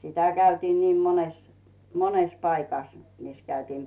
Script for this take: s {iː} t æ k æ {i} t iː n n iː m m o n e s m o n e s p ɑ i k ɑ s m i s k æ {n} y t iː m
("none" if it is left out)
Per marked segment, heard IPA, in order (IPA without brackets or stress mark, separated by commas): i, y, none